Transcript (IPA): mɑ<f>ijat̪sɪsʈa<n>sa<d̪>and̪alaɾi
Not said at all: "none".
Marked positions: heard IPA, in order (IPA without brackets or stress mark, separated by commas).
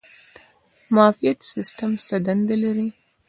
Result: f, m, d̪